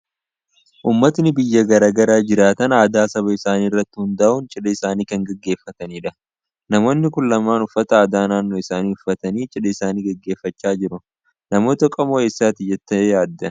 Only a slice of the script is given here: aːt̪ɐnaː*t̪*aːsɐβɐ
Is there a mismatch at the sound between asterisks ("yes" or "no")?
yes